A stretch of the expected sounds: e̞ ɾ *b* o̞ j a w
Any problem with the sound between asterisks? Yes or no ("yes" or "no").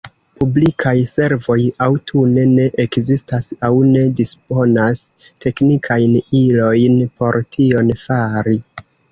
yes